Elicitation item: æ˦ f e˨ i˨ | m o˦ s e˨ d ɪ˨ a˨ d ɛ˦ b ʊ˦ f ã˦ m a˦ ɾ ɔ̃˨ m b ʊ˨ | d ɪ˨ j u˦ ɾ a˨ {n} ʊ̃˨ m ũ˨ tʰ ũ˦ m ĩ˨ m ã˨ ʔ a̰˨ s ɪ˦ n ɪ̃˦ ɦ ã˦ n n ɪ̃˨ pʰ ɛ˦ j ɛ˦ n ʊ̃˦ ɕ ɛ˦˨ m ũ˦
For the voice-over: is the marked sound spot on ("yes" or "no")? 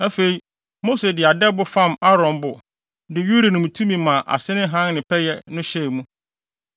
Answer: yes